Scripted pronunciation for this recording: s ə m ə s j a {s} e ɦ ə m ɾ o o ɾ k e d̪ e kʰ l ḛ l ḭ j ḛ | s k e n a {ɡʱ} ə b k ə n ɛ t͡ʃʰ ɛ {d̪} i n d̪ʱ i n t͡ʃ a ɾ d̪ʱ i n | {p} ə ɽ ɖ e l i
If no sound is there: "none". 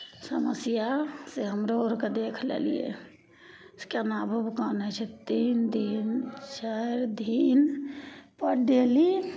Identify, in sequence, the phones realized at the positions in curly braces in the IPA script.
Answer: s, bʱ, t̪, p

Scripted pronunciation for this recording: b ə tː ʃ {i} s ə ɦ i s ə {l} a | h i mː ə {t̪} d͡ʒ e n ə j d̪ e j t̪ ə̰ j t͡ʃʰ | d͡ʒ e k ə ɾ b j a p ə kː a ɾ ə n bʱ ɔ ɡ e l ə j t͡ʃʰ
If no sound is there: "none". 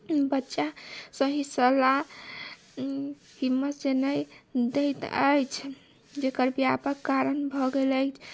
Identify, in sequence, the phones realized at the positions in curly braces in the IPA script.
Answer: a, l, t̪

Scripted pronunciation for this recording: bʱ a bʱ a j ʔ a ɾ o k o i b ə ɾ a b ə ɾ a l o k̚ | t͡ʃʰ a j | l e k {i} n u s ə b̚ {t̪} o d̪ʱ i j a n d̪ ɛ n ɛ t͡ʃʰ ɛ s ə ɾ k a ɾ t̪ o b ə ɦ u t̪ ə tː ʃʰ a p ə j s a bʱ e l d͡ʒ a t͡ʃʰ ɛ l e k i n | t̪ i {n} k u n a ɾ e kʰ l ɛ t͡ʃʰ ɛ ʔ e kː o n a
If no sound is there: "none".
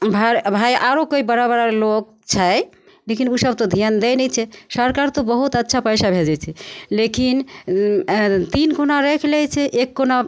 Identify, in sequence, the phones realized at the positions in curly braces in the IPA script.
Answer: i, t̪, n

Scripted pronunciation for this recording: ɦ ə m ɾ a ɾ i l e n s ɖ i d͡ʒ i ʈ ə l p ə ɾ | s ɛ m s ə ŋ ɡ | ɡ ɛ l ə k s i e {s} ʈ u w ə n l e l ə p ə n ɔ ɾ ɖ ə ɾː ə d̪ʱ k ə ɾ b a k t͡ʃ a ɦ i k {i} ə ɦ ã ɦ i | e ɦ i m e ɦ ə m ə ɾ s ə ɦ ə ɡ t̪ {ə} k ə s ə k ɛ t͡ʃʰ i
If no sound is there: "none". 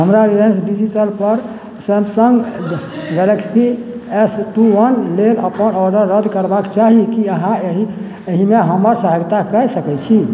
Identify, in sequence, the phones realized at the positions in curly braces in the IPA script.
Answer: s, i, a

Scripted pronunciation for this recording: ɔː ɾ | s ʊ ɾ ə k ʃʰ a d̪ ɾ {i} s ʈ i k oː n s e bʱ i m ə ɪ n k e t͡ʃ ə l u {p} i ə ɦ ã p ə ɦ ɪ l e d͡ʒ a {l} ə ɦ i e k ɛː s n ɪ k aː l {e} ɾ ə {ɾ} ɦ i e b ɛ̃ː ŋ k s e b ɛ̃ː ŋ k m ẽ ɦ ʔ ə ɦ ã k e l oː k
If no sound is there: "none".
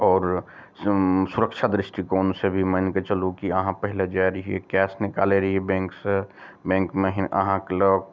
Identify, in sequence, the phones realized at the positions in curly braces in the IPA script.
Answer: ɪ, k, ɾ, e, none

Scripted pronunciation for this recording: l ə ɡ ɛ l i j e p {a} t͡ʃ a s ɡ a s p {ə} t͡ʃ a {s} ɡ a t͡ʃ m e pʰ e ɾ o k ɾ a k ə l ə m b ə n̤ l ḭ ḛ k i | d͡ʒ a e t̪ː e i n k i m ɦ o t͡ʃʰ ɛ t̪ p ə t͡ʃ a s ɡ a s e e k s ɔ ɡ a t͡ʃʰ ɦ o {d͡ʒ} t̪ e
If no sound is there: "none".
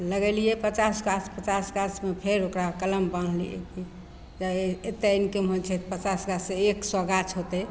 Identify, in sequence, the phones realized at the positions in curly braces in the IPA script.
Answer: ə, ə, s, none

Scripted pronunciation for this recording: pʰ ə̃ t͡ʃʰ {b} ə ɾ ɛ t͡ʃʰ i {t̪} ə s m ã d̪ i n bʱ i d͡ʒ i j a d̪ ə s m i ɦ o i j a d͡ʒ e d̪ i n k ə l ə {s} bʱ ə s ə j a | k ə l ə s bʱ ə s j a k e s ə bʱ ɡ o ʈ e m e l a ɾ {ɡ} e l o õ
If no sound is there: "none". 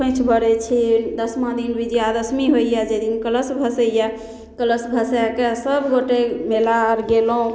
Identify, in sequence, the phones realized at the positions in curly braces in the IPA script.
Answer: b, d̪, s, ɡ

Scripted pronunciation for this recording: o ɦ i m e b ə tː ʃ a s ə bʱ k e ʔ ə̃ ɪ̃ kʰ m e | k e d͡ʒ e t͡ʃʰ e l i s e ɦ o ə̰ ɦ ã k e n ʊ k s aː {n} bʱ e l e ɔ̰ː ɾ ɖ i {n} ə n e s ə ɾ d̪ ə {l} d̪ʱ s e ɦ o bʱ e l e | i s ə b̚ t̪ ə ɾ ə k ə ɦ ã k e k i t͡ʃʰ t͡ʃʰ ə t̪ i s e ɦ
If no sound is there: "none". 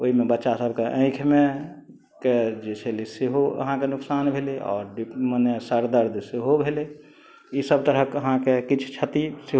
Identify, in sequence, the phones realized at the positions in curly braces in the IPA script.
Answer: n, m, ɾ

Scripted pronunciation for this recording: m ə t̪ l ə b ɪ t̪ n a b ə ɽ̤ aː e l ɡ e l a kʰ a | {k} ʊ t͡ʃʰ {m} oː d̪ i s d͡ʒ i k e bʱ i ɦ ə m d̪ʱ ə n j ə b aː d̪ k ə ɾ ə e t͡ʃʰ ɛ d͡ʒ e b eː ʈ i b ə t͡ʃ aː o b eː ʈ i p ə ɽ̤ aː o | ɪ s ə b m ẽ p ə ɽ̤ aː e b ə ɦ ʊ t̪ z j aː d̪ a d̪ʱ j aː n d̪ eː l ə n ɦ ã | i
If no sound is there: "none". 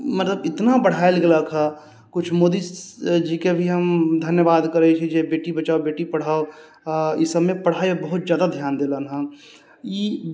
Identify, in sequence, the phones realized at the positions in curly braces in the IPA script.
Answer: k, m

